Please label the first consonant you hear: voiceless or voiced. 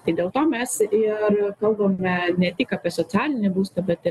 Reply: voiceless